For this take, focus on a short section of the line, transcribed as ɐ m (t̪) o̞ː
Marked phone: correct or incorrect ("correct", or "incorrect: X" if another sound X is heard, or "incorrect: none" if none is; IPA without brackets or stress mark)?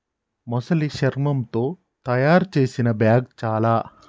correct